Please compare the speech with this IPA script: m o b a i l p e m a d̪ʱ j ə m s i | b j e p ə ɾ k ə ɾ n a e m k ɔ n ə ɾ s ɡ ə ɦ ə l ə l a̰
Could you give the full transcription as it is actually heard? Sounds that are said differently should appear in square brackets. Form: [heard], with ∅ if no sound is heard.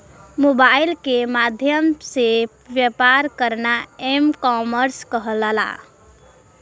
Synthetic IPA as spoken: m o b a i l [k] e m a d̪ʱ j ə m s [e] | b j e p [a] ɾ k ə ɾ n a e m k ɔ [m] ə ɾ s [k] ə ɦ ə l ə l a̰